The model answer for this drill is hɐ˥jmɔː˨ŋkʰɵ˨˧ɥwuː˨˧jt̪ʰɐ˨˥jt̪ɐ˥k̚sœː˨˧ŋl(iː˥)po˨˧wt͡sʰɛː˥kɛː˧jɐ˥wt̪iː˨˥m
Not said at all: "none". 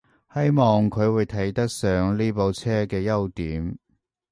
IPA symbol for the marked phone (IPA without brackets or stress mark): iː˥